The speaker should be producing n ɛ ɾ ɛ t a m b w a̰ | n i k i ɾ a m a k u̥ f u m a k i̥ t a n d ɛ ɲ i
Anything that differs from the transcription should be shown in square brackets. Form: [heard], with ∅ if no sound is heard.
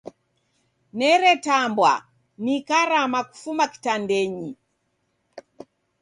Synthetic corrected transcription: n ɛ ɾ ɛ t a m b w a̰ | n i k [a] ɾ a m a k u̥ f u m a k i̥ t a n d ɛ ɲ i